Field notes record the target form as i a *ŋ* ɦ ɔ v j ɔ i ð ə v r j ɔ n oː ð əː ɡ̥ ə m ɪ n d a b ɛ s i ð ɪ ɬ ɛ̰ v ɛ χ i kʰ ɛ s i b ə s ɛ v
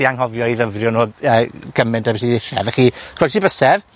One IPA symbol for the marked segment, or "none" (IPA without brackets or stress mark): ŋ